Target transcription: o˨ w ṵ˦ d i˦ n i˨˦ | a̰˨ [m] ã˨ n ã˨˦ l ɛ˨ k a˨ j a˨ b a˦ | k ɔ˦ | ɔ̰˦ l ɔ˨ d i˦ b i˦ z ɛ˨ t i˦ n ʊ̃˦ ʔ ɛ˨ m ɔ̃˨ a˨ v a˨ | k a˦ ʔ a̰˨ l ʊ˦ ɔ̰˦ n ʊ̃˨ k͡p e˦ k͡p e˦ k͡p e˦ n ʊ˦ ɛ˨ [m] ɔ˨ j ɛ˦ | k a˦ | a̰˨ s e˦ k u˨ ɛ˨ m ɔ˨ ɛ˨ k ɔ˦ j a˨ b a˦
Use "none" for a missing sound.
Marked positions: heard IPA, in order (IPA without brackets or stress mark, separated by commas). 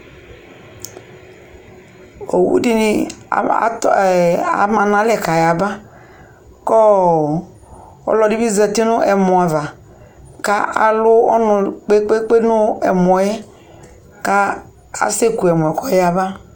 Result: m, m